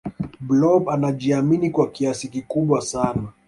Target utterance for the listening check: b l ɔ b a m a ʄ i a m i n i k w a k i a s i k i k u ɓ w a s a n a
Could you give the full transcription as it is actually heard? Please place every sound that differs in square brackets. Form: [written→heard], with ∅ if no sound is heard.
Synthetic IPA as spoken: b l ɔ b a [m→n] a ʄ i a m i n i k w a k i a s i k i k u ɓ w a s a n a